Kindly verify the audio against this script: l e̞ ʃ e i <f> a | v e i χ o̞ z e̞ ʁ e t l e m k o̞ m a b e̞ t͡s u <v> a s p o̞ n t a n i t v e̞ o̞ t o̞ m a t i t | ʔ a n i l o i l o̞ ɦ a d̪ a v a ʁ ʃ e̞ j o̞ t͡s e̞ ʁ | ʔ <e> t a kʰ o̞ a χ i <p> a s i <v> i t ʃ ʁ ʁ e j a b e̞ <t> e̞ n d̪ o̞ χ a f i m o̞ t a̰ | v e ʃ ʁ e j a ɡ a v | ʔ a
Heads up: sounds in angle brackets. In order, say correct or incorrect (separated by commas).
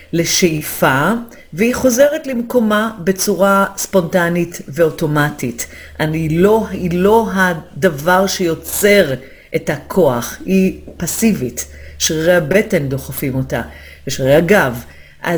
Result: correct, incorrect, correct, correct, correct, correct